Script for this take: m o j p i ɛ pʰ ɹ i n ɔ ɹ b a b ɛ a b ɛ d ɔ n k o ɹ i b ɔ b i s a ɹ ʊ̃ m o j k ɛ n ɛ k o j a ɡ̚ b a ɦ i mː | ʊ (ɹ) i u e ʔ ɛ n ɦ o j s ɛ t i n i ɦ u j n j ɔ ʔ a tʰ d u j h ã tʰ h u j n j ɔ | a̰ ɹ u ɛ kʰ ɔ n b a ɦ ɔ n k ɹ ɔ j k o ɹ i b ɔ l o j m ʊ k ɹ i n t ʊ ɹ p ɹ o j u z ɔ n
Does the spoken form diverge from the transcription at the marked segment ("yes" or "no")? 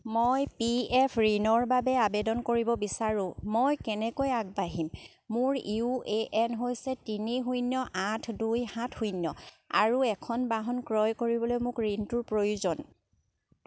no